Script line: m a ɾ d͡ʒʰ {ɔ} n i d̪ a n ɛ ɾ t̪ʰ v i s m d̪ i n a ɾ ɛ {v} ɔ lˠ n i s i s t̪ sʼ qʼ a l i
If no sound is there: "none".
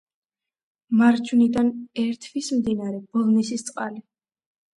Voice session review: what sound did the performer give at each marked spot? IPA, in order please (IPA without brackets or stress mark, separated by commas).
u, b